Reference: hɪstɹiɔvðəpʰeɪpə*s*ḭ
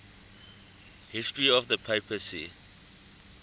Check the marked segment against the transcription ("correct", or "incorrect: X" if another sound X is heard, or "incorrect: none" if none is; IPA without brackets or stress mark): correct